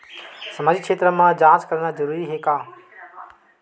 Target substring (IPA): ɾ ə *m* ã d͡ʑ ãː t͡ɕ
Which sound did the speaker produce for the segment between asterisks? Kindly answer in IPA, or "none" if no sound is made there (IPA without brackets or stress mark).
m